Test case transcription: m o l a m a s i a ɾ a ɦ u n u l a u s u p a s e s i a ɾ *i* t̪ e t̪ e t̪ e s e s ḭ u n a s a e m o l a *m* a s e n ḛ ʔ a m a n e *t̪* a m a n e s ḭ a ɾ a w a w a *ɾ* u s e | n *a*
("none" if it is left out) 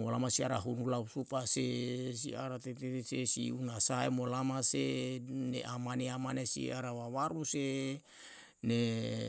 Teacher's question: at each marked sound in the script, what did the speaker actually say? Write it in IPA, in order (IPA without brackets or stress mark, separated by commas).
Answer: a, m, none, ɾ, e